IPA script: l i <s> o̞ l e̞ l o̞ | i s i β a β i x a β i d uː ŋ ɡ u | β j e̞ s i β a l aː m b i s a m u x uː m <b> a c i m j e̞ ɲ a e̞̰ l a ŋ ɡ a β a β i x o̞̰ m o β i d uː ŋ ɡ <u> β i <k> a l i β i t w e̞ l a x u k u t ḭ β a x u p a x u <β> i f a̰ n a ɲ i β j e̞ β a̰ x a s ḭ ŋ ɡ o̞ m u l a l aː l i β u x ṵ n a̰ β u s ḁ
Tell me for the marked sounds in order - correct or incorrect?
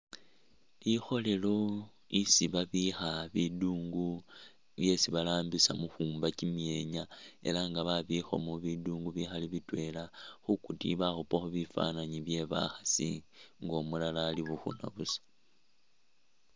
incorrect: x, correct, correct, incorrect: x, correct

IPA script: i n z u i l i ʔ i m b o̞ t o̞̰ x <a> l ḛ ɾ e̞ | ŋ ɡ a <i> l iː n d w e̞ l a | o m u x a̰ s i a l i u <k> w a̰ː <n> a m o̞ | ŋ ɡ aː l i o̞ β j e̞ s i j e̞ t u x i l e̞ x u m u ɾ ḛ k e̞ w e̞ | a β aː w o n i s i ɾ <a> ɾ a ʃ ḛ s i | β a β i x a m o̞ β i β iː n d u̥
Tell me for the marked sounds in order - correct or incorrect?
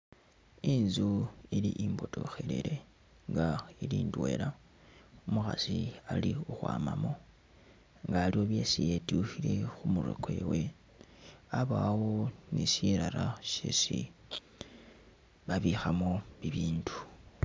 incorrect: e, correct, incorrect: x, incorrect: m, correct

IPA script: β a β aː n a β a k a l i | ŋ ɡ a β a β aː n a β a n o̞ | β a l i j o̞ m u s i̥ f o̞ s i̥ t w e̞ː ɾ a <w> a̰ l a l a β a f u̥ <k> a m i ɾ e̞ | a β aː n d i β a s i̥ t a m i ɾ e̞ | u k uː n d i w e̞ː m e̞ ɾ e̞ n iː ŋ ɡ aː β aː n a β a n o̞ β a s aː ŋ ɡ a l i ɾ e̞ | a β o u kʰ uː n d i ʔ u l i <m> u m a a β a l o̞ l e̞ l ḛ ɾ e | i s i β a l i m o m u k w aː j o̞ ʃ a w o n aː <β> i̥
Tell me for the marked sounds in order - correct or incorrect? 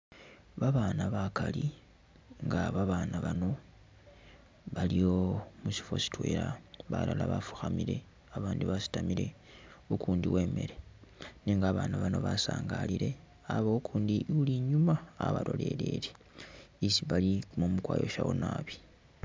incorrect: β, incorrect: x, incorrect: ɲ, correct

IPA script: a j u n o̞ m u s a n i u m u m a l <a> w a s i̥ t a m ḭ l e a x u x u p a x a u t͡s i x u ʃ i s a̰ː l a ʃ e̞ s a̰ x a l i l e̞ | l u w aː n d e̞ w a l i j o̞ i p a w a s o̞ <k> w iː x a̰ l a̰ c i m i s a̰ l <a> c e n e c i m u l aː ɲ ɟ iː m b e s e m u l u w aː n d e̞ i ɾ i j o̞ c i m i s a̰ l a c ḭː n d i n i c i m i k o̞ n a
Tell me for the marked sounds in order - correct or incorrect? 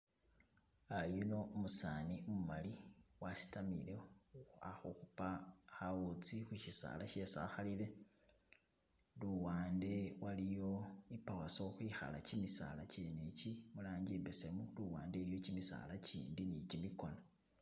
incorrect: i, incorrect: x, correct

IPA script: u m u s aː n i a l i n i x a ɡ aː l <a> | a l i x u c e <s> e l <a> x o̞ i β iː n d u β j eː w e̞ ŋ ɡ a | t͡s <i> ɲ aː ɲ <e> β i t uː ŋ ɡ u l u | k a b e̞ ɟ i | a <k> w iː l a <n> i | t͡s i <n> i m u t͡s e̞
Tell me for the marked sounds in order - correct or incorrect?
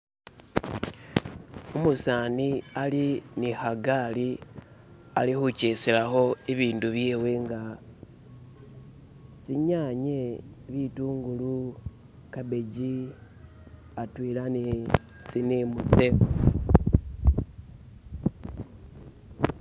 incorrect: i, correct, correct, correct, correct, incorrect: t, correct, correct

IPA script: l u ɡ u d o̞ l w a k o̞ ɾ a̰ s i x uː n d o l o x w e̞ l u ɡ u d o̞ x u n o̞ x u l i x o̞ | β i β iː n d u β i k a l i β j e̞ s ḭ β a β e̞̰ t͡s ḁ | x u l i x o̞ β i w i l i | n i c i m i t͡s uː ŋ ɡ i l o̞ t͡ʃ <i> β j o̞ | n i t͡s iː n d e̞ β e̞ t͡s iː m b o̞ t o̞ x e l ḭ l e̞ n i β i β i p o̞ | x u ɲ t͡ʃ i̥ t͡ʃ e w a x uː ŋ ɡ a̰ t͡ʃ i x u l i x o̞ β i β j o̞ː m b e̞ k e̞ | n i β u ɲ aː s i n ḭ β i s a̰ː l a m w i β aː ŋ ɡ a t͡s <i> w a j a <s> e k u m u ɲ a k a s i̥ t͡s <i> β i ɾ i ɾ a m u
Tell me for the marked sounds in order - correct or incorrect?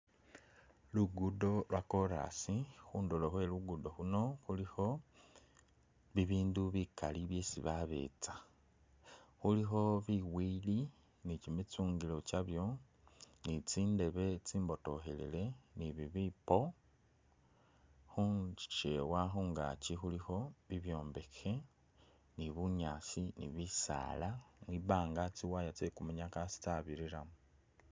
incorrect: a, correct, incorrect: t͡s, incorrect: a

